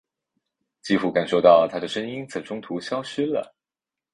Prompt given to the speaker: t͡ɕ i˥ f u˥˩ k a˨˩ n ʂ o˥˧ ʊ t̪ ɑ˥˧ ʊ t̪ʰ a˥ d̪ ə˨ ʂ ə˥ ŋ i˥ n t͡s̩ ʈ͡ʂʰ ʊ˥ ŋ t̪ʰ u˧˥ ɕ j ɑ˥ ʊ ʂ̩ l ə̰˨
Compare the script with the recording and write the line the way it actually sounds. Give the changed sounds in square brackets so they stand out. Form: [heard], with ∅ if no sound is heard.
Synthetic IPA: t͡ɕ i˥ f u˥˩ k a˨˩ n ʂ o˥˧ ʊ t̪ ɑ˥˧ ʊ t̪ʰ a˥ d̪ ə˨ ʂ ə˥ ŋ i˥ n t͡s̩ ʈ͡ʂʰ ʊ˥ ŋ t̪ʰ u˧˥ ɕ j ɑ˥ ʊ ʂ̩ l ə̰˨

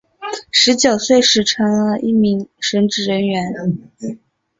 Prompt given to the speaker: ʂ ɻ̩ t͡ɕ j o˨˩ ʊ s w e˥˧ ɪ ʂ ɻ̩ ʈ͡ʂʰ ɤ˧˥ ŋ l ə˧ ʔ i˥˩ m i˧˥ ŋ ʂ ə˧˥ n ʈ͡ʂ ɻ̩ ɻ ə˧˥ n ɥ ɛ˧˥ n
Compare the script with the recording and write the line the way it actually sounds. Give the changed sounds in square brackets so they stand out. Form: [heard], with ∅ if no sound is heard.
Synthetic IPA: ʂ ɻ̩ t͡ɕ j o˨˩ ʊ s w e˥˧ ɪ ʂ ɻ̩ ʈ͡ʂʰ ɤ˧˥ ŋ l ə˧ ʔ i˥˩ m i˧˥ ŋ ʂ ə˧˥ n ʈ͡ʂ ɻ̩ ɻ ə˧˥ n ɥ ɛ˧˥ n

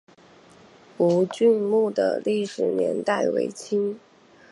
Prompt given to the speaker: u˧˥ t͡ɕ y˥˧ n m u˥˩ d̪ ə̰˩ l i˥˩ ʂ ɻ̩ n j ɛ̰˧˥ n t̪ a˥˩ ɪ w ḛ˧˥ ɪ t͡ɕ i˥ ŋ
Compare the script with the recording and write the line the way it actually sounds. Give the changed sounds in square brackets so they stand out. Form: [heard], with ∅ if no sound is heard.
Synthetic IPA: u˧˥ t͡ɕ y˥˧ n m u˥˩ d̪ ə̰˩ l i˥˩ ʂ ɻ̩ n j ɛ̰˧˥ n t̪ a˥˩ ɪ w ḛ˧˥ ɪ [t͡ɕʰ] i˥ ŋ

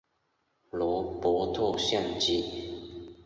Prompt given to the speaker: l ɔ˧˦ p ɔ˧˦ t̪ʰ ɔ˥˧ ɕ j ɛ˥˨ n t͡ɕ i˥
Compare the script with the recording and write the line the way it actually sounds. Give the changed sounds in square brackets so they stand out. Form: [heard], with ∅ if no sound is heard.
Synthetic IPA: l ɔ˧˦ p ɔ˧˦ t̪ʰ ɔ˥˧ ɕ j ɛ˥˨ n t͡ɕ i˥

